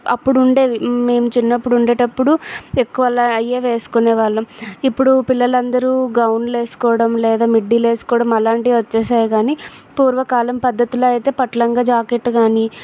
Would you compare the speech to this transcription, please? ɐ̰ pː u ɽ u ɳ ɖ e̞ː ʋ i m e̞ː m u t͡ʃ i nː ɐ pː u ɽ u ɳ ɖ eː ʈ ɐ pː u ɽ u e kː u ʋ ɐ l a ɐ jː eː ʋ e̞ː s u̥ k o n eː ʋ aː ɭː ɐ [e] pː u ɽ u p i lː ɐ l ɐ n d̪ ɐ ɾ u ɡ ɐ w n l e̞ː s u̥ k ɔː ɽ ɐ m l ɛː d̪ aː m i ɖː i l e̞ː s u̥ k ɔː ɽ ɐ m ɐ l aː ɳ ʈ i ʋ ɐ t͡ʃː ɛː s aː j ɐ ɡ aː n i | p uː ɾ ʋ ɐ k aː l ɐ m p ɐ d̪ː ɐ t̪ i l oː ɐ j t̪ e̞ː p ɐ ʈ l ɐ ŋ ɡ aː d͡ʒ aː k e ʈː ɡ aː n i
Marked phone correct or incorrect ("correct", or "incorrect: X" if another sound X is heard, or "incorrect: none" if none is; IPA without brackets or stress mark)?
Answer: incorrect: i